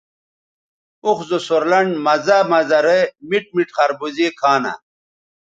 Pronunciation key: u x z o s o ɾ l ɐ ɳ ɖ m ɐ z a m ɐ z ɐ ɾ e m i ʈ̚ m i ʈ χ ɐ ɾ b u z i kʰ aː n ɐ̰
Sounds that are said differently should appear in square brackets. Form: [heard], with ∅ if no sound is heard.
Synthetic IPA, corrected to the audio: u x z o s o ɾ l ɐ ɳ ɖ m ɐ z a m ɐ z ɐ ɾ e m i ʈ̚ m i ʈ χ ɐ ɾ b u z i kʰ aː n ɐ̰